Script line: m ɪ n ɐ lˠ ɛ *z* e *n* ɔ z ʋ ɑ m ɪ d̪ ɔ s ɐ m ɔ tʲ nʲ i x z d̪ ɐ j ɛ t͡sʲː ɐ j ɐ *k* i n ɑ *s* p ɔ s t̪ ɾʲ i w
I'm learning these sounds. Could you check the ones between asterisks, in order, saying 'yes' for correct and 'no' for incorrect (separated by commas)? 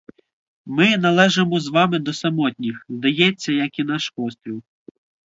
no, no, yes, no